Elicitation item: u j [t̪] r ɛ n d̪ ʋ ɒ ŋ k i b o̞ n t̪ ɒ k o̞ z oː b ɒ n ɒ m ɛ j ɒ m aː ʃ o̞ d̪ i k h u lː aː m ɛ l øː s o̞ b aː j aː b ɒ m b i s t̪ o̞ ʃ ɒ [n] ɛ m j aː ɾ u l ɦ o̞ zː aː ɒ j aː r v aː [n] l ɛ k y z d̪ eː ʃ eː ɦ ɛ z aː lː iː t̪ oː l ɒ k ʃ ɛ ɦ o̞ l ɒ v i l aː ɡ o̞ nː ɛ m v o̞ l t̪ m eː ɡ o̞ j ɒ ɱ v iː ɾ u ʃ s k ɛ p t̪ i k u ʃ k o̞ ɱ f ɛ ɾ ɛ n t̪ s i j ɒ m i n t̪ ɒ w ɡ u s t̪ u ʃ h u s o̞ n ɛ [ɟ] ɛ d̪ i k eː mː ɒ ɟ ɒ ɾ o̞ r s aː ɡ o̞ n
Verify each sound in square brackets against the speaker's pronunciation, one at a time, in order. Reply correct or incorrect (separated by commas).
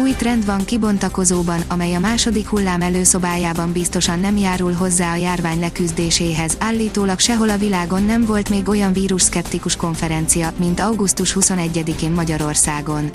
correct, incorrect, incorrect, incorrect